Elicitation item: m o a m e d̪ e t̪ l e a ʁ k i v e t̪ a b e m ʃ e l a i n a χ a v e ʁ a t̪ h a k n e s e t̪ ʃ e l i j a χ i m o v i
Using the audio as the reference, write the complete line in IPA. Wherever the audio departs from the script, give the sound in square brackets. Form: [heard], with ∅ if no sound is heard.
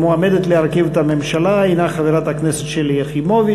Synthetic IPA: m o a m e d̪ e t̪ l e a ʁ k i v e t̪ a [m] e m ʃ [a] l a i n a χ a v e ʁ a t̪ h a k n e s e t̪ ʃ e l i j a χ i m o v i

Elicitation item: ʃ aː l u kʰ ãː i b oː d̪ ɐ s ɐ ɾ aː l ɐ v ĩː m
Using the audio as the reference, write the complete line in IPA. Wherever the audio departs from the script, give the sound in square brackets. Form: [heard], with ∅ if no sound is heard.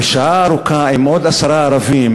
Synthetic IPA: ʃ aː [ɾ] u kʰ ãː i [m] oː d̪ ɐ s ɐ ɾ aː [ɾ] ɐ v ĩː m

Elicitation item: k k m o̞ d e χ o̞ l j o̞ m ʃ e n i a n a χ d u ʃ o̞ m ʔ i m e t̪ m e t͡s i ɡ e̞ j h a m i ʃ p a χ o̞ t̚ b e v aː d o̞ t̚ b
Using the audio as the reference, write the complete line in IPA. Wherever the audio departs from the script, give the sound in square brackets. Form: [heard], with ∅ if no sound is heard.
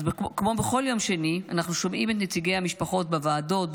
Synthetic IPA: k k m o̞ [b] e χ o̞ l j o̞ m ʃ e n i a n a χ [n] u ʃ o̞ m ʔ i m e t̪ [n] e t͡s i ɡ e̞ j h a m i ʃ p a χ o̞ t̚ b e v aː d o̞ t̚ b

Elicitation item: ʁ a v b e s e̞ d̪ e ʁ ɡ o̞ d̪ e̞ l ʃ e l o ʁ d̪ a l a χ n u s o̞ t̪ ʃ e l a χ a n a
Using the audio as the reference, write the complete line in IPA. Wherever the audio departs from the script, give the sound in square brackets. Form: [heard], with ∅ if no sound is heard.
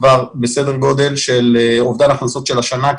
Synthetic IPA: [v] a [ʁ] b e s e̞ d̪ e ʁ ɡ o̞ d̪ e̞ l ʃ e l o [v] d̪ a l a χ n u s o̞ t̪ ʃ e l a [ʃ] a n a

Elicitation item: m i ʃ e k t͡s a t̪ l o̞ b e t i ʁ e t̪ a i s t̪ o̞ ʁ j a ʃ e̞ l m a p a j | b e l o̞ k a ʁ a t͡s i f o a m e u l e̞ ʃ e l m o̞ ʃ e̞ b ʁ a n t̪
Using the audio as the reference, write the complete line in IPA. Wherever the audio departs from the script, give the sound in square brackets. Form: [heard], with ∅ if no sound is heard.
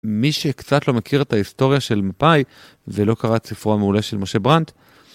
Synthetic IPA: m i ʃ e k t͡s a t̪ l o̞ [m] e [k] i ʁ e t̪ a i s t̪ o̞ ʁ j a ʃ e̞ l m a p a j | [v] e l o̞ k a ʁ a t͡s i f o a m e u l e̞ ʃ e l m o̞ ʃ e̞ b ʁ a n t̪

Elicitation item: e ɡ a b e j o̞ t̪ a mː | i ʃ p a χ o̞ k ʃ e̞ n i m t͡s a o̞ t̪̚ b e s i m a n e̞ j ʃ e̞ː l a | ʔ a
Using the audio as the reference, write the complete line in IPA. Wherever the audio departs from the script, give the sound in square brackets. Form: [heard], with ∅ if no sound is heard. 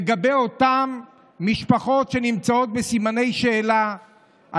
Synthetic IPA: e ɡ a b e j o̞ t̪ a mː | i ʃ p a χ o̞ [t] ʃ e̞ n i m t͡s a o̞ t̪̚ b e s i m a n e̞ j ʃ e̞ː l a | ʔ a

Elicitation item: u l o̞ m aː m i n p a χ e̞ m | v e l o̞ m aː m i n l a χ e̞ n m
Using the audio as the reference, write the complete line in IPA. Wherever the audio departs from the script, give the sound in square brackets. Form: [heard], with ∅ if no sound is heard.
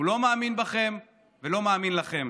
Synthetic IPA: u l o̞ m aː m i n [b] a χ e̞ m | v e l o̞ m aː m i n l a χ e̞ [∅] m

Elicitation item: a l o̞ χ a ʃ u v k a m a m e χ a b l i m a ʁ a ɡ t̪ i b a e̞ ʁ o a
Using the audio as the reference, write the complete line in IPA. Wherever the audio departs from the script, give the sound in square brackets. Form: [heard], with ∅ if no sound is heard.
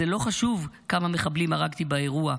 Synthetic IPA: [e] l o̞ χ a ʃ u v k a m a m e χ a b l i m a ʁ a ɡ t̪ i b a e̞ ʁ [u] a

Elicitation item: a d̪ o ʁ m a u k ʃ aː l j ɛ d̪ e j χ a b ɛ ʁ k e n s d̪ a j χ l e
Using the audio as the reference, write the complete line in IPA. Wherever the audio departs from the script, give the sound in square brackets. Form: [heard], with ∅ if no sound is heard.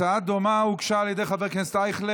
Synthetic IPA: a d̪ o [∅] m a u k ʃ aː l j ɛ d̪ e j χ a [v] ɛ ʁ k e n s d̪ a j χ l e

